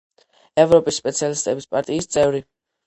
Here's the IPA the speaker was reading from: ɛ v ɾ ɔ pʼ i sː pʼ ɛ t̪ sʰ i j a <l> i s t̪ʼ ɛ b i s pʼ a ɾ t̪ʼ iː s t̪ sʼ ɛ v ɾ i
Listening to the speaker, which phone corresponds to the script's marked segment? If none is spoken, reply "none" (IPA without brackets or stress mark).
l